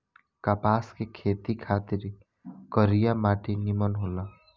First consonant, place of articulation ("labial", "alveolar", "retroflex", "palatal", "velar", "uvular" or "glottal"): velar